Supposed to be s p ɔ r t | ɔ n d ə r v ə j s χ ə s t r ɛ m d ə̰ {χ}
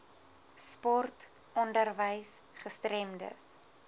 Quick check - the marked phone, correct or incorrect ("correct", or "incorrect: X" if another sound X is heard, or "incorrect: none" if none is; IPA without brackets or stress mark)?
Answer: incorrect: s